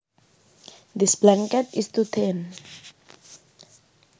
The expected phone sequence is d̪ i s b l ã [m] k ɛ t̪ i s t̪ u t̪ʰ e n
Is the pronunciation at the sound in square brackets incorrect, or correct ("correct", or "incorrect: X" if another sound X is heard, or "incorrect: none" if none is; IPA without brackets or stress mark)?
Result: incorrect: ŋ